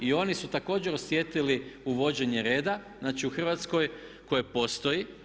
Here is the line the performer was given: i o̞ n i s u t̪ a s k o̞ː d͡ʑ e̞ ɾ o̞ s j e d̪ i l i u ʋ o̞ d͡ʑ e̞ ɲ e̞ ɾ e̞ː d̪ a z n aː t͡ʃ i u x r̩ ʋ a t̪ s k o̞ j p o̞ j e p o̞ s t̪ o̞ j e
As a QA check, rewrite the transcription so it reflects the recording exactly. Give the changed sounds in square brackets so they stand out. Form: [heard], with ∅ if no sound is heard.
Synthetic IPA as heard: i o̞ n i s u t̪ a [∅] k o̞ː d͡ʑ e̞ ɾ o̞ s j e [t̪] i l i u ʋ o̞ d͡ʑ e̞ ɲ e̞ ɾ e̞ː d̪ a z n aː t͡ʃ i u x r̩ ʋ a t̪ s k o̞ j [k] o̞ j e p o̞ s t̪ o̞ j [i]